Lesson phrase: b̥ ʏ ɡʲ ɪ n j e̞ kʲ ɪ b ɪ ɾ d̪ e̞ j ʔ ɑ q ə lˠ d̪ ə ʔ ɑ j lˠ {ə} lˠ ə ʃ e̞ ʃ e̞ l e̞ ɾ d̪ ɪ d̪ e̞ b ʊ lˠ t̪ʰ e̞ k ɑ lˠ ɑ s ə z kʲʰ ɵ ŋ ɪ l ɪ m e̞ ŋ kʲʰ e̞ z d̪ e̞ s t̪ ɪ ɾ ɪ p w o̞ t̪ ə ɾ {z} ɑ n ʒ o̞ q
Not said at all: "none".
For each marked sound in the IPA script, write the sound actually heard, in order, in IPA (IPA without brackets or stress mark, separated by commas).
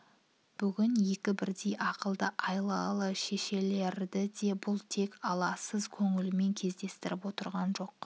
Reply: ɑ, ʁ